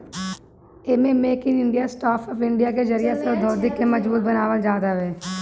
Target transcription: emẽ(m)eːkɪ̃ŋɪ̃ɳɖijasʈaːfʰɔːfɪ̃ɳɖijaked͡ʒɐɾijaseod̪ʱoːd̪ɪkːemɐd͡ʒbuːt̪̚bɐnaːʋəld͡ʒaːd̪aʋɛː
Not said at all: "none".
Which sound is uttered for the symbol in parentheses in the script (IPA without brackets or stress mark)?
m